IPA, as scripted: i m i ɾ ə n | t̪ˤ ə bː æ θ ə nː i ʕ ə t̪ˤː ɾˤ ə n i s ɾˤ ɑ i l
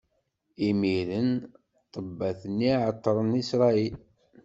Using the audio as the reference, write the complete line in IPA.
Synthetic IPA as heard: i m i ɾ ə n | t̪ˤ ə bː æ θ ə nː i ʕ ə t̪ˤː ɾˤ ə n i s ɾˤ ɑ i l